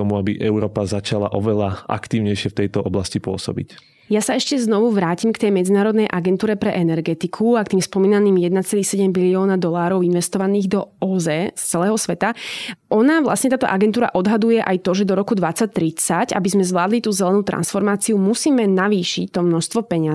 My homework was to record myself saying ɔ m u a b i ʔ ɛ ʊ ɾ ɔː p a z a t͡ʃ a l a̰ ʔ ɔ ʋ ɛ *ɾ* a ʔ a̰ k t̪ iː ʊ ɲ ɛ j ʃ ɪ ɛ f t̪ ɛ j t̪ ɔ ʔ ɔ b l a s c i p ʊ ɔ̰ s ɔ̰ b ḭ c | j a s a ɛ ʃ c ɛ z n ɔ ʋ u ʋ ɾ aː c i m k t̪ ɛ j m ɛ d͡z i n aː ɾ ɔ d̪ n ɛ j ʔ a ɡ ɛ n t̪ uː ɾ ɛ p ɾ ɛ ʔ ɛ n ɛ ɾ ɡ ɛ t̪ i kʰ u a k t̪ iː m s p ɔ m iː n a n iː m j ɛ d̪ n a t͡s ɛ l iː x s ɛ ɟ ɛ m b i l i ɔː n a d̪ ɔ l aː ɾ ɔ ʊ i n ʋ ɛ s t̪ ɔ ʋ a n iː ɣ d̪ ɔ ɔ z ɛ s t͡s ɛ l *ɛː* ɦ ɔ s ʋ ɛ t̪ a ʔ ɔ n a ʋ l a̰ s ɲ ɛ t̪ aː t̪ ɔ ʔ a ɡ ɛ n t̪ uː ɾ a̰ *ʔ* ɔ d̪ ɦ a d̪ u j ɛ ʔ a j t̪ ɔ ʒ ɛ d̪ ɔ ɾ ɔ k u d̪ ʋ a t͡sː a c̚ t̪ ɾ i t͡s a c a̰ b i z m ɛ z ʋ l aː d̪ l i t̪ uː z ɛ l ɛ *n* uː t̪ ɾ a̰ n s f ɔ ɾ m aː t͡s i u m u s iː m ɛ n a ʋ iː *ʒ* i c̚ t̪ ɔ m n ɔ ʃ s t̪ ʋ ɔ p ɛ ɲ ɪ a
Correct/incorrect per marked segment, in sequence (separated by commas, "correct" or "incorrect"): incorrect, correct, correct, correct, incorrect